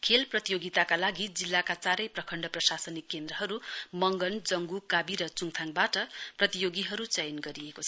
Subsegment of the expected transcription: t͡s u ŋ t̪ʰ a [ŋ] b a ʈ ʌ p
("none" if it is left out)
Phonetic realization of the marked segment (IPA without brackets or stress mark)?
ŋ